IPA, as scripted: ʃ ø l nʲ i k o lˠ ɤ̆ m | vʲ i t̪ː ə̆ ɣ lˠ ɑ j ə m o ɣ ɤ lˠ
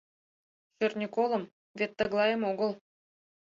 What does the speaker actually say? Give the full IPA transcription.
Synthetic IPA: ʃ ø r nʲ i k o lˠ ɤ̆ m | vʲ e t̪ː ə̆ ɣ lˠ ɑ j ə m o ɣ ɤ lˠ